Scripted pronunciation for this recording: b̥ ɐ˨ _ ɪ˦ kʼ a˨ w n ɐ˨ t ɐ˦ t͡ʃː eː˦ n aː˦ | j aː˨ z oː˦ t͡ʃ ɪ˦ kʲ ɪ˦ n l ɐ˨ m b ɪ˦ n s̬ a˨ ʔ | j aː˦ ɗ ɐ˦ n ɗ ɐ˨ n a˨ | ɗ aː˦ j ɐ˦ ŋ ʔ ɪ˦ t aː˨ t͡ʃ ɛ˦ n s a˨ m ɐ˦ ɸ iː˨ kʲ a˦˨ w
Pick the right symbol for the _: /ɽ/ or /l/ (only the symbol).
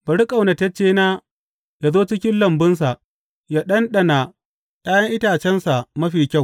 ɽ